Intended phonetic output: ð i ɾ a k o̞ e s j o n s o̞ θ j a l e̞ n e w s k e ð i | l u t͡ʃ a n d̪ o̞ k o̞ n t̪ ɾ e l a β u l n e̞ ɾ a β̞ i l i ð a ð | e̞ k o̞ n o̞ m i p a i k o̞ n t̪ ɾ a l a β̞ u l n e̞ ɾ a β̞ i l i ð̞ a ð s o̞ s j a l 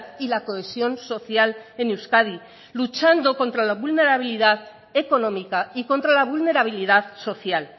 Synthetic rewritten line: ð i l a k o̞ e s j o n s o̞ θ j a l e̞ n e w s k a ð i | l u t͡ʃ a n d̪ o̞ k o̞ n t̪ ɾ a l a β u l n e̞ ɾ a β̞ i l i ð a ð | e̞ k o̞ n o̞ m i k a i k o̞ n t̪ ɾ a l a β̞ u l n e̞ ɾ a β̞ i l i ð̞ a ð s o̞ θ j a l